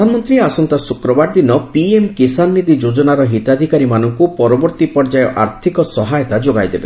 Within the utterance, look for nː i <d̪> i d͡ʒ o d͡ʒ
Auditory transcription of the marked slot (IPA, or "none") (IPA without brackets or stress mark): d̪